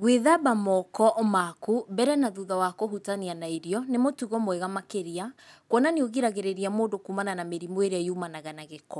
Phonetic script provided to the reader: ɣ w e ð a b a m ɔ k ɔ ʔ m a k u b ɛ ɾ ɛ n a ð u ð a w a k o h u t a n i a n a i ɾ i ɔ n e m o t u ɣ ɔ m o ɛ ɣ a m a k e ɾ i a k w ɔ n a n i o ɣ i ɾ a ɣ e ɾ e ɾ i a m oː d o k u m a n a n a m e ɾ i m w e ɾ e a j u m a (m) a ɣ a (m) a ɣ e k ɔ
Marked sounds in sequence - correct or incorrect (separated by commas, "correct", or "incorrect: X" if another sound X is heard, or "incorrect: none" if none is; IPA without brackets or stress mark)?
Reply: incorrect: n, incorrect: n